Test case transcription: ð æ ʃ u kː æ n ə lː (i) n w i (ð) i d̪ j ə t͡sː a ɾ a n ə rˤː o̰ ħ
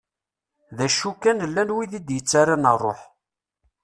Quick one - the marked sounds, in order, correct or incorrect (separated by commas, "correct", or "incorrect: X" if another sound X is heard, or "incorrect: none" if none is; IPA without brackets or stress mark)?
incorrect: æ, correct